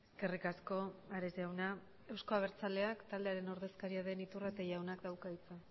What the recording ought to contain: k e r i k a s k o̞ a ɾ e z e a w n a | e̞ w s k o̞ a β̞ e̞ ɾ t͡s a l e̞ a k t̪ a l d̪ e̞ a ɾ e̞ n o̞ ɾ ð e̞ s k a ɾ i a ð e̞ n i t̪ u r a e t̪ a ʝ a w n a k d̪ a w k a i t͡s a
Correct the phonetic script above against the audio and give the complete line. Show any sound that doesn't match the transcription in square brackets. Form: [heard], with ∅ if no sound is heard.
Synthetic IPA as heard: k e r i k a s k o̞ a ɾ e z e a w n a | e̞ w s k o̞ a β̞ e̞ ɾ t͡s a l e̞ a k t̪ a l d̪ e̞ a ɾ e̞ n o̞ ɾ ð e̞ s k a ɾ i a ð e̞ n i t̪ u r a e t̪ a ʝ a w n a k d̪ a w k a i t͡s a